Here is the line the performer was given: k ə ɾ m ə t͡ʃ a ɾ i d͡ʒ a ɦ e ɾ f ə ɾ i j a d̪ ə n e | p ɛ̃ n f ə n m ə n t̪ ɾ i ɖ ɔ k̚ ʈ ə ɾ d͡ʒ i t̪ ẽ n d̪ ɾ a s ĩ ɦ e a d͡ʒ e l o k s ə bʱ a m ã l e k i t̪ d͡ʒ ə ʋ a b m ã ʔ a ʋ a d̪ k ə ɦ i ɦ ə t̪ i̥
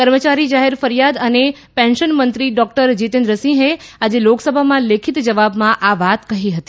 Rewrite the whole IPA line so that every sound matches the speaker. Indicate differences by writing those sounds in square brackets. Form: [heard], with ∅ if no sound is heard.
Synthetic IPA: k ə ɾ m ə t͡ʃ a ɾ i d͡ʒ a ɦ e ɾ f ə ɾ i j a d̪ ə n e | p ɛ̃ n [ʃ] ə n m ə n t̪ ɾ i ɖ ɔ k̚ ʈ ə ɾ d͡ʒ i t̪ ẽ n d̪ ɾ [ə] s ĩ ɦ e a d͡ʒ e l o k s ə bʱ a m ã l e [kʰ] i t̪ d͡ʒ ə ʋ a b m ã ʔ a ʋ a [t̪] k ə ɦ i ɦ ə t̪ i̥